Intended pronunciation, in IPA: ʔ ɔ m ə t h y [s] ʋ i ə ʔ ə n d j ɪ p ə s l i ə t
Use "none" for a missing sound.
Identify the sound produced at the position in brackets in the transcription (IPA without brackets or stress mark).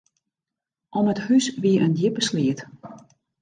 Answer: s